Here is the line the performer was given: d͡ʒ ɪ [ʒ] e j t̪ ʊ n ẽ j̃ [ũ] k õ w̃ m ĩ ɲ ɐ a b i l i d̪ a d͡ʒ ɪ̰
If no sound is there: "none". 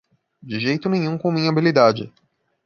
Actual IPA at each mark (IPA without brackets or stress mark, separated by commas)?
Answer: ʒ, ũ